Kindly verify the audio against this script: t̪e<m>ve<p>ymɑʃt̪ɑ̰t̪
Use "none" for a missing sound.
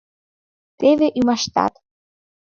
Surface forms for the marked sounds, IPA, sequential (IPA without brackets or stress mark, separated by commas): none, ʔ